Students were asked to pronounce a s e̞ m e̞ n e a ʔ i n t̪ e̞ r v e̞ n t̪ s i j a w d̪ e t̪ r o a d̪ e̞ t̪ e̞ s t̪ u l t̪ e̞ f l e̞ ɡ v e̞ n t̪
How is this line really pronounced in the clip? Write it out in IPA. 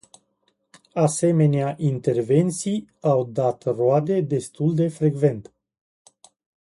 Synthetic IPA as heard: a s e̞ m e̞ n e a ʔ i n t̪ e̞ r v e̞ n t̪ s i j a w d̪ a t̪ r o a d̪ e̞ d̪ e̞ s t̪ u l d̪ e̞ f ɾ e̞ ɡ v e̞ n t̪